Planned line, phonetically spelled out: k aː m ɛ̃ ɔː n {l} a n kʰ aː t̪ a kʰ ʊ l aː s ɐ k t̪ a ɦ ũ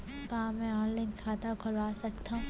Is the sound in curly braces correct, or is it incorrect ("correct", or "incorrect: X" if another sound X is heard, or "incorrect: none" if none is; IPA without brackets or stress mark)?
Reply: correct